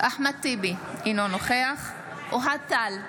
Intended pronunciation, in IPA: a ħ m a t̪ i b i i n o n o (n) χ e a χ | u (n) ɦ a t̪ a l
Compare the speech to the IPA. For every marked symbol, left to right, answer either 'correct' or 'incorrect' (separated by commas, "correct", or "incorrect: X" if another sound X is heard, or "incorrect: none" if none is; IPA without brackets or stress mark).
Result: incorrect: none, incorrect: none